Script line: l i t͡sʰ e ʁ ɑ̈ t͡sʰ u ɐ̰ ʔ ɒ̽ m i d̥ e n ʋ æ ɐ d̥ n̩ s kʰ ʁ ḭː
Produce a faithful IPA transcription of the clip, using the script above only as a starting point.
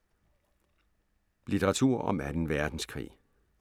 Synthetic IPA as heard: l i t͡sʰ e ʁ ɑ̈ t͡sʰ u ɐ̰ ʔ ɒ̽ m æ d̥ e n ʋ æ ɐ d̥ n̩ s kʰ ʁ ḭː